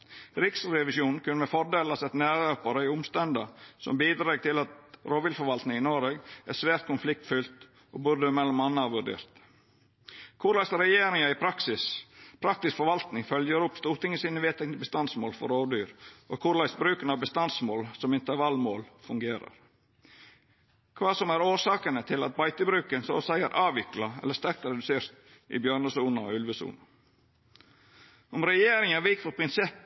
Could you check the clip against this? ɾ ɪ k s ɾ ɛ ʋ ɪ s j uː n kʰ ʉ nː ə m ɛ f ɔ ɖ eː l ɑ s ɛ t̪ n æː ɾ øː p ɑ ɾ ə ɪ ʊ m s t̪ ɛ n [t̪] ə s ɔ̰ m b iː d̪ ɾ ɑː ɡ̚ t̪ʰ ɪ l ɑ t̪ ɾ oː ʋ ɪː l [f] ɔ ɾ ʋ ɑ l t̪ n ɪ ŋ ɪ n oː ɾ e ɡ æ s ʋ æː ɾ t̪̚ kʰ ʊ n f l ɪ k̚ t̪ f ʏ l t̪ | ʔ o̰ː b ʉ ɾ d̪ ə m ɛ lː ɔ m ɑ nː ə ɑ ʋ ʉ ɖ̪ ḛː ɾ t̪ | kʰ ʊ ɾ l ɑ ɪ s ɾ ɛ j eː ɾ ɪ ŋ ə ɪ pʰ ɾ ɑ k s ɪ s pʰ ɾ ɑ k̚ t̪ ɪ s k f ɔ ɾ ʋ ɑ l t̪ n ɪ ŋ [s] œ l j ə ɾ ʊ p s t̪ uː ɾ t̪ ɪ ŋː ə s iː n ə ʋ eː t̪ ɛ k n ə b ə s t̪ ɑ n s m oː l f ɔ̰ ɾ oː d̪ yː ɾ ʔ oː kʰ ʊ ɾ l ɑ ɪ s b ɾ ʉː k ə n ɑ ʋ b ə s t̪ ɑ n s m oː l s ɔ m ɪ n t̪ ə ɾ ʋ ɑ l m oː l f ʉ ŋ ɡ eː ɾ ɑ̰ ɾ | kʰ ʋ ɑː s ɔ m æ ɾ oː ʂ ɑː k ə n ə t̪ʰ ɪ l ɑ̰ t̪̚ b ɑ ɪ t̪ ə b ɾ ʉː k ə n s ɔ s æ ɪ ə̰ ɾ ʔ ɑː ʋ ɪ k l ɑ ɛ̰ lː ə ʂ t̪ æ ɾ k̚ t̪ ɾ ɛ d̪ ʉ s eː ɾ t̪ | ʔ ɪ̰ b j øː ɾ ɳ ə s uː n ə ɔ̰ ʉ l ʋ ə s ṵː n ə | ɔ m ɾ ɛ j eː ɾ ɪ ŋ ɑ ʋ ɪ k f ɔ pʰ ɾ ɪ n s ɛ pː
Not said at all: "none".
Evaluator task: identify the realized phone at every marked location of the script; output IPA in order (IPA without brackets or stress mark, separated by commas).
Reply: d̪, f, f